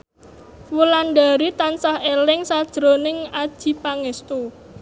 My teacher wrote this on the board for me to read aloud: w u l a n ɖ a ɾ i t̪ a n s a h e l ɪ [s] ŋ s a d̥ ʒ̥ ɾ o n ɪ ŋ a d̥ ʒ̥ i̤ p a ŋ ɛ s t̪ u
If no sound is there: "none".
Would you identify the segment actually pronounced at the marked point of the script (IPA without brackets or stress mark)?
none